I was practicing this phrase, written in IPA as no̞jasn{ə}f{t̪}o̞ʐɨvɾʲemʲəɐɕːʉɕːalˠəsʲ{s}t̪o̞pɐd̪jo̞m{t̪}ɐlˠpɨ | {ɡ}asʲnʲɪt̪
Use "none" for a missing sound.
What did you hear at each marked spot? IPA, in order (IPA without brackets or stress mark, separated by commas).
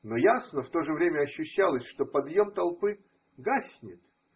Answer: ə, t̪, ʂ, t̪, ɡ